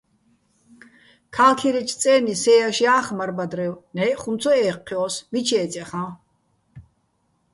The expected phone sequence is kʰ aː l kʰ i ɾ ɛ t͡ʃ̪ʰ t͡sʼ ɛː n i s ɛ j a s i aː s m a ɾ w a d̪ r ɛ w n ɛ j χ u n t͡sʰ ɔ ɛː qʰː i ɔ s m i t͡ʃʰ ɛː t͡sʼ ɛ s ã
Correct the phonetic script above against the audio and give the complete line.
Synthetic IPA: kʰ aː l kʰ i ɾ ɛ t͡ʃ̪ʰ t͡sʼ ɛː n i s ɛ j a ʃ i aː χ m a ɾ b a d̪ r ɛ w n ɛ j χ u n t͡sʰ ɔ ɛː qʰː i ɔ s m i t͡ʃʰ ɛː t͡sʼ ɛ χ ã